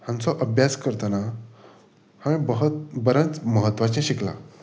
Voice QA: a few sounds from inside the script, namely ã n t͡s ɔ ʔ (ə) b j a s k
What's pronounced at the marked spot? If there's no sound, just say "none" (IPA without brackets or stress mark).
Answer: ə